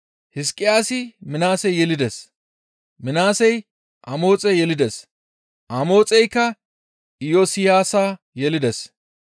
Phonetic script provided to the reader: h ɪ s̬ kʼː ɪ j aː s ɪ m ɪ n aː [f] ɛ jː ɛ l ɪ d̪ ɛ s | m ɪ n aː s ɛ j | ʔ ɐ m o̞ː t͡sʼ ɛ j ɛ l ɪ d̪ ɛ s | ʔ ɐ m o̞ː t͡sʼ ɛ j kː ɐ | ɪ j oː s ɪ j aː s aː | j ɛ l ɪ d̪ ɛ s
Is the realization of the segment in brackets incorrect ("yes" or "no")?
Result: yes